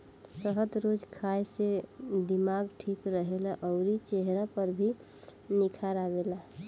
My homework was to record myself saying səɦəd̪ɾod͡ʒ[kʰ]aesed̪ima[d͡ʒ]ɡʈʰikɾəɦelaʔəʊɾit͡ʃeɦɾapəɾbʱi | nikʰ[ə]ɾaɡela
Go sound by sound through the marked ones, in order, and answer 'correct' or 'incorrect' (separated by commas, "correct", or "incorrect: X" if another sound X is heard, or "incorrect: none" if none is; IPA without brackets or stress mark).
correct, incorrect: none, incorrect: a